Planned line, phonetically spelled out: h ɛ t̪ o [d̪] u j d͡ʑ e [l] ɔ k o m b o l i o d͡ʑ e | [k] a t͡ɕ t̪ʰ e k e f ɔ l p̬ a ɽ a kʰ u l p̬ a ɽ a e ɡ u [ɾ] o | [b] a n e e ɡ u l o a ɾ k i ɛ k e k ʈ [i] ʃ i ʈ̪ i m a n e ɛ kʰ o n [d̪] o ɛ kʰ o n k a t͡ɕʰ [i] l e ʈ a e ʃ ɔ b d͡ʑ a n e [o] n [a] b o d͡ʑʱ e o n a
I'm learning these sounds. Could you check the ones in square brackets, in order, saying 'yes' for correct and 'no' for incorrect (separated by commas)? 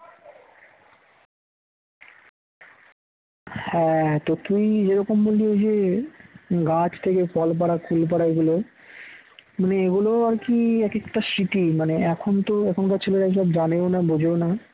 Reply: no, no, no, no, no, no, no, no, yes, yes